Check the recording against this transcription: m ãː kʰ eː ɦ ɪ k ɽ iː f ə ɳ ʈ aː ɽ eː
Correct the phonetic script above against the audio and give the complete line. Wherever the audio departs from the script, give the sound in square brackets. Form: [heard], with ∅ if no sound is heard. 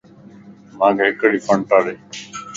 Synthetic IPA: m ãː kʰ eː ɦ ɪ k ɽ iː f ə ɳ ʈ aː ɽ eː

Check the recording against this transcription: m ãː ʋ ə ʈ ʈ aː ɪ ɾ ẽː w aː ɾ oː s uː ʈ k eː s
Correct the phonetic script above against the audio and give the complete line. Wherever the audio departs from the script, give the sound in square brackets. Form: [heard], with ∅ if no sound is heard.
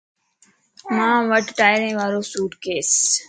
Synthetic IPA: m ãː ʋ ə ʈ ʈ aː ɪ ɾ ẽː [ʋ] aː ɾ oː s uː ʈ k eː s

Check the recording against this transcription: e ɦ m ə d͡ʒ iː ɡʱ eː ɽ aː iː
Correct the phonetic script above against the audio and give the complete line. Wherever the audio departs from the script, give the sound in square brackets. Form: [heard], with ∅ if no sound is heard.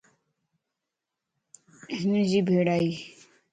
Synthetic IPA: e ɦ [n] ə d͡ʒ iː [bʱ] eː ɽ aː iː

